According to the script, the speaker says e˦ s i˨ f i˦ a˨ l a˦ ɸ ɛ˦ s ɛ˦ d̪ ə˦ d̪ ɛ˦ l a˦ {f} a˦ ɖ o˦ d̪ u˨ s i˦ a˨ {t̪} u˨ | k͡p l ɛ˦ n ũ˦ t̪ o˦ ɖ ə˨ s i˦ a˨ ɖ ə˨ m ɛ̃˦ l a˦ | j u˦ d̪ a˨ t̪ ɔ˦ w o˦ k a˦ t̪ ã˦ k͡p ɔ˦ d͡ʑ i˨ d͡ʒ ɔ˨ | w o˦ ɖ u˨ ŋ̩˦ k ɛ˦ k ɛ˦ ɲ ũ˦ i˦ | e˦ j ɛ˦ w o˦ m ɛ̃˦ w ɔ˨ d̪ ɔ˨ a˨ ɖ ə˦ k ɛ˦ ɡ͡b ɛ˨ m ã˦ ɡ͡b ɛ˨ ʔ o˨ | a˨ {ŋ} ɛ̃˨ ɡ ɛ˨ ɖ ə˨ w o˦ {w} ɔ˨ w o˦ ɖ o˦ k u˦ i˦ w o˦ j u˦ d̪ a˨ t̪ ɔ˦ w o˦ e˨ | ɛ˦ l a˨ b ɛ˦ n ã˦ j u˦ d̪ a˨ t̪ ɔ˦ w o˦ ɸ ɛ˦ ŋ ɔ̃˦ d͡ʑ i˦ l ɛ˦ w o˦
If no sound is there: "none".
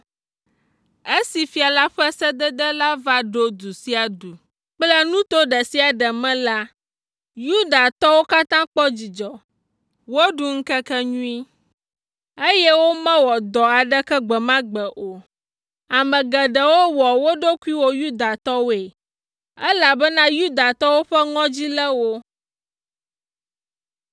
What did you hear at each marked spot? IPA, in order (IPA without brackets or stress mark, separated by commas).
v, d̪, m, w